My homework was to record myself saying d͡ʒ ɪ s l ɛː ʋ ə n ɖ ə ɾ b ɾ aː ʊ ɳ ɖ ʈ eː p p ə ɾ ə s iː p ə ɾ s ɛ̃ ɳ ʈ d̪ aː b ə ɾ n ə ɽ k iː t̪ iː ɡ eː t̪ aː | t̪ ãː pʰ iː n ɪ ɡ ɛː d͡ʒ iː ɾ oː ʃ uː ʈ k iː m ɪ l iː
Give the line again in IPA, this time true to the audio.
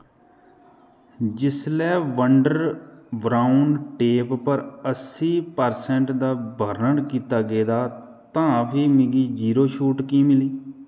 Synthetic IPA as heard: d͡ʒ ɪ s l ɛː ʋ ə ɳ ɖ ə ɾ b ɾ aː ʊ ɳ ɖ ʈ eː p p ə ɾ ə s iː p ə ɾ s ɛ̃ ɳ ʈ d̪ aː b ə ɾ n ə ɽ k iː t̪ aː ɡ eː d̪ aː | t̪ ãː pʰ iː m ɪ ɡ iː d͡ʒ iː ɾ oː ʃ uː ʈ k iː m ɪ l iː